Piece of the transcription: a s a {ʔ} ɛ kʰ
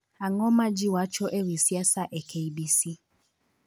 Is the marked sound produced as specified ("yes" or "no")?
yes